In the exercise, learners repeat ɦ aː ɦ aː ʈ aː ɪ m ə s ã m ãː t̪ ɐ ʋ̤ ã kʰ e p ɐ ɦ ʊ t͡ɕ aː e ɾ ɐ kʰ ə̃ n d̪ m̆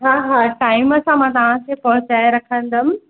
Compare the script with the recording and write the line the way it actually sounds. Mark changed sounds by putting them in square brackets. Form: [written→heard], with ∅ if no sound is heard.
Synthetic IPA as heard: ɦ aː ɦ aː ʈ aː ɪ m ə s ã m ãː t̪ ɐ ʋ̤ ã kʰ e p ɐ ɦ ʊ t͡ɕ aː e ɾ ɐ kʰ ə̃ n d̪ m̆